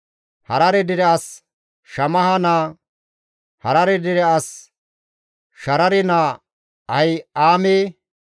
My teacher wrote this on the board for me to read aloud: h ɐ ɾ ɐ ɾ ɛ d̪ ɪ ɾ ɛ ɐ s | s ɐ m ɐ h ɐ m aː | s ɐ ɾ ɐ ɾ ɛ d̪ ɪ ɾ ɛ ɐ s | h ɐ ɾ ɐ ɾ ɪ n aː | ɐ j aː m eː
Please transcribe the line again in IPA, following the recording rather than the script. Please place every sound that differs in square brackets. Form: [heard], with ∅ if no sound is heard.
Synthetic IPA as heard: h ɐ ɾ ɐ ɾ ɛ d̪ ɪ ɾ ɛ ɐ s | [ʃ] ɐ m ɐ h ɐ [n] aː | [h] ɐ ɾ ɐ ɾ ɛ d̪ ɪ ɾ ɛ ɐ s | [ʃ] ɐ ɾ ɐ ɾ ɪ n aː | ɐ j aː m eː